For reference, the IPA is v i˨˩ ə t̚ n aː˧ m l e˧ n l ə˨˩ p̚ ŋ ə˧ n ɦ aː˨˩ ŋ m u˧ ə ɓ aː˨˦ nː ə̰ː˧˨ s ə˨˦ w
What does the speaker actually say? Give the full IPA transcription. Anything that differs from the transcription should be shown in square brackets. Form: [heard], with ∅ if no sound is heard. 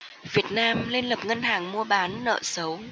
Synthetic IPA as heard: v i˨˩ ə t̚ n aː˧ m l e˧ n l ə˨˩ p̚ ŋ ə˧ n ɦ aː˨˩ ŋ m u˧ ə ɓ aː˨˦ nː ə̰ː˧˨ s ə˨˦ w